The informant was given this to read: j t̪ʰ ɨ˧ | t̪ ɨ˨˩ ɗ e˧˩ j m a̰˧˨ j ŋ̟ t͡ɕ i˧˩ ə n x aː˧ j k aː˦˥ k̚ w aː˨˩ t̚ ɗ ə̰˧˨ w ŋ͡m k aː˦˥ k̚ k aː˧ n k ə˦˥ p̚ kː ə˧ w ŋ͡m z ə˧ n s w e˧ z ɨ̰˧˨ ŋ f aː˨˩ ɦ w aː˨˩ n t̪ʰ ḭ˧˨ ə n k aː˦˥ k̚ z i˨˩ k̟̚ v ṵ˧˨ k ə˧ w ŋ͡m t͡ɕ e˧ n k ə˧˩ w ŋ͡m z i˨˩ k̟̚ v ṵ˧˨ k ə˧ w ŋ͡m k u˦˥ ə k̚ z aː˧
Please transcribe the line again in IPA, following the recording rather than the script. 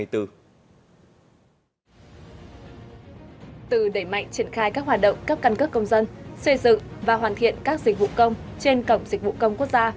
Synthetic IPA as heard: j t̪ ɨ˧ | t̪ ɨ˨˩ ɗ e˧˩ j m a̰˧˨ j ŋ̟ t͡ɕ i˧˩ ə n x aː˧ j k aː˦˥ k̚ w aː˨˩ t̚ ɗ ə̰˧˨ w ŋ͡m k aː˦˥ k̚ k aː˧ n k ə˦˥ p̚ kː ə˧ w ŋ͡m z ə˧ n s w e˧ z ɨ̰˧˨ ŋ v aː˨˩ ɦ w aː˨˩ n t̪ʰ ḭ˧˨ ə n k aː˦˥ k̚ z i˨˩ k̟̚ v ṵ˧˨ k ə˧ w ŋ͡m t͡ɕ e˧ n k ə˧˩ w ŋ͡m z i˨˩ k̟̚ v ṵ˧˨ k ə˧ w ŋ͡m k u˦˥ ə k̚ z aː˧